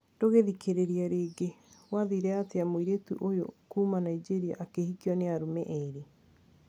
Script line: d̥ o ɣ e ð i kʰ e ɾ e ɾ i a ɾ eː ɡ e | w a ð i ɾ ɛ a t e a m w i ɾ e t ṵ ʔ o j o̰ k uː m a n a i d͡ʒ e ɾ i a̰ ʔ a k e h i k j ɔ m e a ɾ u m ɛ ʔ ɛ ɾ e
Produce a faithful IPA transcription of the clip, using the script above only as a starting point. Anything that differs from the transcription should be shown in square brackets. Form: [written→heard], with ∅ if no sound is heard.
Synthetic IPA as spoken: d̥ o ɣ e ð i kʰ e ɾ e ɾ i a ɾ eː ɡ e | w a ð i ɾ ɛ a t e a m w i ɾ e t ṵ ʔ o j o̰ k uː m a n a i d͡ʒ e ɾ i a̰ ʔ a k e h i k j ɔ [m→n] e a ɾ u m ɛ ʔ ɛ ɾ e